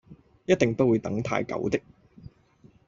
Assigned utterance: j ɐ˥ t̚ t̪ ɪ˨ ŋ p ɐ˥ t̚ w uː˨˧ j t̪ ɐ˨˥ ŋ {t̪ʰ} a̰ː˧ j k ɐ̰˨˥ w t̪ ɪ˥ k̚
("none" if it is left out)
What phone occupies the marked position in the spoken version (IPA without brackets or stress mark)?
t̪ʰ